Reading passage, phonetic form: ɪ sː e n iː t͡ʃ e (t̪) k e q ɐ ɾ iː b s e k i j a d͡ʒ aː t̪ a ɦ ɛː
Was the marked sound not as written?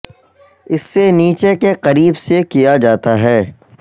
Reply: yes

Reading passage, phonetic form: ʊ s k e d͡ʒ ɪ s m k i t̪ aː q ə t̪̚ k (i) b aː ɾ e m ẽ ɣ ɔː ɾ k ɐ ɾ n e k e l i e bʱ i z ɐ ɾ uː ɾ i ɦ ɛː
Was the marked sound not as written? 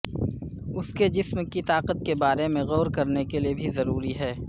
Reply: yes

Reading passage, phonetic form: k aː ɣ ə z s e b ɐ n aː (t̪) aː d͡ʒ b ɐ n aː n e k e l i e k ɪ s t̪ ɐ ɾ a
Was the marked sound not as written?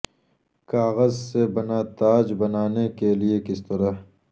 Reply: no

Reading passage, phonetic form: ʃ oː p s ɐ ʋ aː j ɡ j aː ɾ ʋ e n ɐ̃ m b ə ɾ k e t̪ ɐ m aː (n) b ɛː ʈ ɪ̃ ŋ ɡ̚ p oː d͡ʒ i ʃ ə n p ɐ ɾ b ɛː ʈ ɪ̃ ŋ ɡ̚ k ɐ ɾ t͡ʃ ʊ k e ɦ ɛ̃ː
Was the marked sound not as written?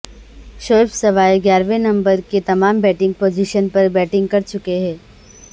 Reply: yes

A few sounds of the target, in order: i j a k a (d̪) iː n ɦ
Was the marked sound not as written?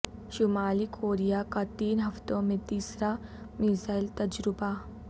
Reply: yes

